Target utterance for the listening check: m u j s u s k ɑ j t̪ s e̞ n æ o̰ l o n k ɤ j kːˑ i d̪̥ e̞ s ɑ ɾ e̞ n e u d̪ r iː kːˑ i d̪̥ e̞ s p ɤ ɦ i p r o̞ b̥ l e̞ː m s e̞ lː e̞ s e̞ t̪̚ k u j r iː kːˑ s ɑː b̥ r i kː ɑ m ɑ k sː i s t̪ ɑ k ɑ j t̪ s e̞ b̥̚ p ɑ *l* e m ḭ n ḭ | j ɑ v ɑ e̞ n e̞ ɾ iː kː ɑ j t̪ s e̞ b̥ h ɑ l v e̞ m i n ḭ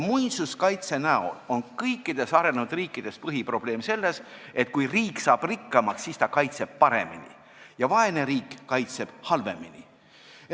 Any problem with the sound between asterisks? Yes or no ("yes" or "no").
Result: yes